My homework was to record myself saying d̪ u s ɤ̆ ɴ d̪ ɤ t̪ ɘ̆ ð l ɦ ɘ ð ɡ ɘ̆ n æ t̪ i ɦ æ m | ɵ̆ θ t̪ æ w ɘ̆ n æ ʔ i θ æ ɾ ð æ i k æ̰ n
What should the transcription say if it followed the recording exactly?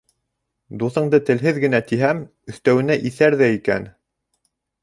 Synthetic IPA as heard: d̪ u θ ɤ̆ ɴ d̪ ɤ t̪ ɘ̆ l ɦ ɘ ð ɡ ɘ̆ n æ t̪ i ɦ æ m | ɵ̆ θ t̪ æ w ɘ̆ n æ ʔ i θ æ ɾ ð æ i k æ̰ n